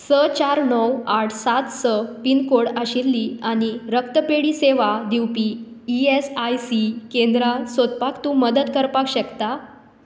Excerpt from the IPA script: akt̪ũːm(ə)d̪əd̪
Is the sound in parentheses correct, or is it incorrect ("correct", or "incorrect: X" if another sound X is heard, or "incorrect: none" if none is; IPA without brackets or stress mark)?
correct